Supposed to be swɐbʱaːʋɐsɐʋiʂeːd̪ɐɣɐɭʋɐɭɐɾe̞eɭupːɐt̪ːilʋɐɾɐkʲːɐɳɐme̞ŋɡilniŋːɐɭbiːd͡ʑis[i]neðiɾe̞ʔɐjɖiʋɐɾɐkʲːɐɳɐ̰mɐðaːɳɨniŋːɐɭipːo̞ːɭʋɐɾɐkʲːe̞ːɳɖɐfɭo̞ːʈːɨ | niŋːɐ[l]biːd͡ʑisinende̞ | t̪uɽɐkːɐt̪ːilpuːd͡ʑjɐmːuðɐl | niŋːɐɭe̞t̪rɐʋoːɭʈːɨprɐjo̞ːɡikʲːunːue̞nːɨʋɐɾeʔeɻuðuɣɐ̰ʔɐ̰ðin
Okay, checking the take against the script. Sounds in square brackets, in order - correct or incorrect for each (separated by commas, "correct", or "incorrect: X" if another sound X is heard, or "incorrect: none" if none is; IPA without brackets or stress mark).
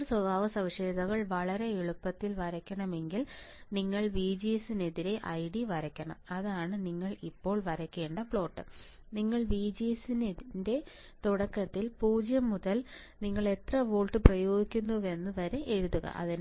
correct, incorrect: ɭ